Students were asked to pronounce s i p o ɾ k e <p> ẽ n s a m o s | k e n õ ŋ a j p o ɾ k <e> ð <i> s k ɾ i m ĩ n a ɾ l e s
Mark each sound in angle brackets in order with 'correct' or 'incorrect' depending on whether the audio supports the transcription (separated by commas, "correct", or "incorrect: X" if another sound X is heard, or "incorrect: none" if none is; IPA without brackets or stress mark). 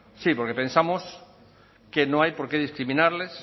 correct, correct, correct